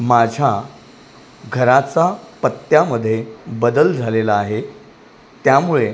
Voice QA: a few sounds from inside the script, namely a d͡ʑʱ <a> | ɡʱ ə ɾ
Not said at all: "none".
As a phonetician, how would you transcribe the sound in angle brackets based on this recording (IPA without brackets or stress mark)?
a